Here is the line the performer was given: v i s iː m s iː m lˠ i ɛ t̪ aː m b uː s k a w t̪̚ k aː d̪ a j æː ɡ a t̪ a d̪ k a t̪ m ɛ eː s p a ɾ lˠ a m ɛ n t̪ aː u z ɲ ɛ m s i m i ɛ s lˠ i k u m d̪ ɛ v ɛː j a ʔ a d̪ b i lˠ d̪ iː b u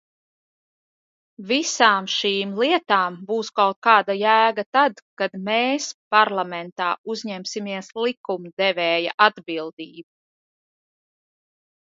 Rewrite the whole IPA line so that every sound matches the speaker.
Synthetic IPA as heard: v i s aː m ʃ iː m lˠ i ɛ t̪ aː m b uː s k a w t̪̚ k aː d̪ a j æː ɡ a t̪ a d̪ k a d̪ m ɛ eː s p a ɾ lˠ a m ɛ n t̪ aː u z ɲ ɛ m s i m i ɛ s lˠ i k u m d̪ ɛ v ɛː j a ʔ a d̪ b i lˠ d̪ iː b u